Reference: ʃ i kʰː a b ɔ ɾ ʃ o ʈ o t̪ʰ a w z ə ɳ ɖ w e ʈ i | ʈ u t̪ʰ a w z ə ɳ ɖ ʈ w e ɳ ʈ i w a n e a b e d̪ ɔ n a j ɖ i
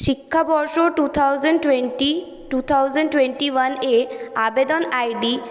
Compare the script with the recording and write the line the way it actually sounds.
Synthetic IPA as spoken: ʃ i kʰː a b ɔ ɾ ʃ o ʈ u t̪ʰ a w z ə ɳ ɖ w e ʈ i | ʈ u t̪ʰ a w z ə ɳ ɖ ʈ w e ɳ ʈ i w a n e a b e d̪ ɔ n a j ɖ i